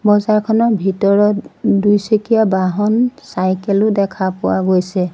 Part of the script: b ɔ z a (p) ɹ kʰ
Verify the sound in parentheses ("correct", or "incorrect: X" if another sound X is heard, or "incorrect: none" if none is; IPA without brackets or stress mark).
incorrect: none